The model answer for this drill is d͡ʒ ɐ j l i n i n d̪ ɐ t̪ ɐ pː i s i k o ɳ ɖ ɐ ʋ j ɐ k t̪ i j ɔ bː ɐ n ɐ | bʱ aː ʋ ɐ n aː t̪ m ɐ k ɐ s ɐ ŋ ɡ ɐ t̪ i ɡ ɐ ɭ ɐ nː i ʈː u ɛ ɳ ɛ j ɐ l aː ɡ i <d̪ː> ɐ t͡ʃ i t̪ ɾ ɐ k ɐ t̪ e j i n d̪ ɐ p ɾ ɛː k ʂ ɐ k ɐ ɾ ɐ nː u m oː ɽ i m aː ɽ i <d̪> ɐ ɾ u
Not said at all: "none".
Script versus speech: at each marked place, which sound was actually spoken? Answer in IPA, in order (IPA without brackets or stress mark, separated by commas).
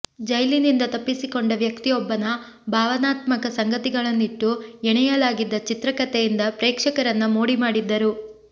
d̪ː, d̪ː